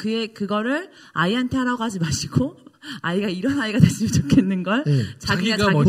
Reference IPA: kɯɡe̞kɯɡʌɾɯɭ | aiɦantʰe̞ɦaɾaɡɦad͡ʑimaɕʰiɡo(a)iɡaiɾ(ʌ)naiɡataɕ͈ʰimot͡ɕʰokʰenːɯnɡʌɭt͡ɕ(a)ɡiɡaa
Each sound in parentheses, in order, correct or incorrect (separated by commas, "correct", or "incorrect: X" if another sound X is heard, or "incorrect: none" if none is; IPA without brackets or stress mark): correct, correct, correct